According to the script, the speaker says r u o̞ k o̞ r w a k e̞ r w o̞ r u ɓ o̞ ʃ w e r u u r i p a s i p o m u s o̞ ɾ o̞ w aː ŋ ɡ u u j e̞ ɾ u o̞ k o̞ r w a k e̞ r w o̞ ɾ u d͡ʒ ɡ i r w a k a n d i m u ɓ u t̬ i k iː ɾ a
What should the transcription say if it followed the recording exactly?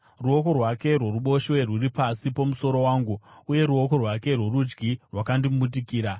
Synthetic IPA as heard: r u o̞ k o̞ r w a k e̞ r w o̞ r u ɓ o̞ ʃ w e r w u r i p a s i p o m u s o̞ ɾ o̞ w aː ŋ ɡ u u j e̞ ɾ u o̞ k o̞ r w a k e̞ r w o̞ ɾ u d͡ʒ ɡ i r w a k a n d i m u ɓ u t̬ i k iː ɾ a